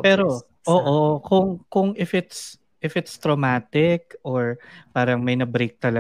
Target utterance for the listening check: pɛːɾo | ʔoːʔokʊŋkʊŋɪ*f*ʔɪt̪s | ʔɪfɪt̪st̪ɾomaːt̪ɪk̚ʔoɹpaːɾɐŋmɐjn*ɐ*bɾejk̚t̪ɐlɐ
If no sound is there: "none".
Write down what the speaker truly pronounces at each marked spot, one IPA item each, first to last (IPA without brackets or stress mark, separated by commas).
f, ɐ